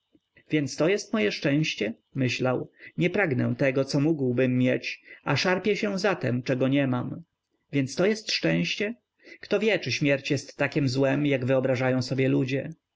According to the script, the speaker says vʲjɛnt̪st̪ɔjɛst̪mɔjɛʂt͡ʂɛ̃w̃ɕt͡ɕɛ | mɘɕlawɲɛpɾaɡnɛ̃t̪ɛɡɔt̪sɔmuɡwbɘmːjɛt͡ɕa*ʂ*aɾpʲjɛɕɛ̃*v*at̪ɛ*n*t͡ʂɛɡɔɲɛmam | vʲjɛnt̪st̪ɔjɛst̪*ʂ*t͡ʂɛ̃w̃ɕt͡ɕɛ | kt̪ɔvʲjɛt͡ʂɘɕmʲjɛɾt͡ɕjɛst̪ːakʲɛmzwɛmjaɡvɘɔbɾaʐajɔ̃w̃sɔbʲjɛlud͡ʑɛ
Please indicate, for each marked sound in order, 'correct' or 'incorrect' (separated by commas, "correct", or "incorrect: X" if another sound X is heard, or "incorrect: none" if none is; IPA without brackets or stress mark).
correct, incorrect: z, incorrect: m, correct